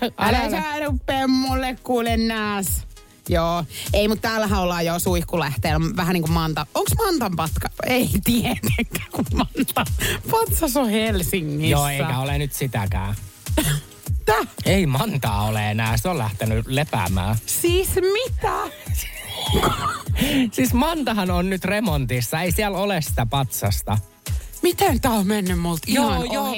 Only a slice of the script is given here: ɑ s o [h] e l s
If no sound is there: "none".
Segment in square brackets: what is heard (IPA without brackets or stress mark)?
h